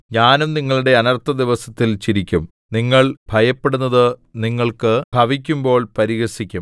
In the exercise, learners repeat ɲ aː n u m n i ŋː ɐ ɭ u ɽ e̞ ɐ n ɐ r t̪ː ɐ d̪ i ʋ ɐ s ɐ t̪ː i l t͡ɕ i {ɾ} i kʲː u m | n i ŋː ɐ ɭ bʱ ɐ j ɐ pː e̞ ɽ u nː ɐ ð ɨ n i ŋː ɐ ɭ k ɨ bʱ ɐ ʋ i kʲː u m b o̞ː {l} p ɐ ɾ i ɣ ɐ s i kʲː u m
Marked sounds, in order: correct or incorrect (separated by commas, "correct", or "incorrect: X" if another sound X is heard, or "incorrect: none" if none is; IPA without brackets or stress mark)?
correct, incorrect: ɭ